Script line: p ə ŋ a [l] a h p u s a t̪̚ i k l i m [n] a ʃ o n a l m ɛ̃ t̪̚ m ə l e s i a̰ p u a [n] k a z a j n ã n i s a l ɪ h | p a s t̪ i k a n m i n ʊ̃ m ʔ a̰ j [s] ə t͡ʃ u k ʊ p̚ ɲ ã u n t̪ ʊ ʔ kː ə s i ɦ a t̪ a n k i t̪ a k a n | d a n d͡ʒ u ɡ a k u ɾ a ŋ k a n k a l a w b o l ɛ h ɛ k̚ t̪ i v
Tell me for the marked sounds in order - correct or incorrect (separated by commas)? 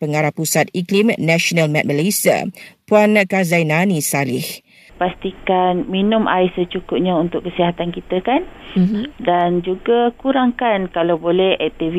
incorrect, correct, correct, correct